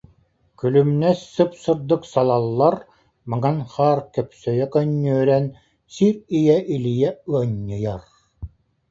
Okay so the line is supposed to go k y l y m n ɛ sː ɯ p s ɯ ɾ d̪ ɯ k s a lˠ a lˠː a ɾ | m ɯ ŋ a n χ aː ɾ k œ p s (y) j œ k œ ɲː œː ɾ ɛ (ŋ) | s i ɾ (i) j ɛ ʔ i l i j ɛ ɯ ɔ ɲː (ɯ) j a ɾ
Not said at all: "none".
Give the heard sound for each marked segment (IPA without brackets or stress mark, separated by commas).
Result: œ, n, i, ɯ